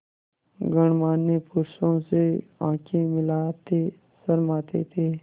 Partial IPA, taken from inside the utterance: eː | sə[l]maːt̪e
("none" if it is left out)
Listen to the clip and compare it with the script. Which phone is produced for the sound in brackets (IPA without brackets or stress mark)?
ɾ